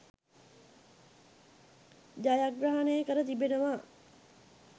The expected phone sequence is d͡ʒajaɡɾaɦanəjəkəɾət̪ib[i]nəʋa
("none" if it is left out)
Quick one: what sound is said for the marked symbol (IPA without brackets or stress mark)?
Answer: e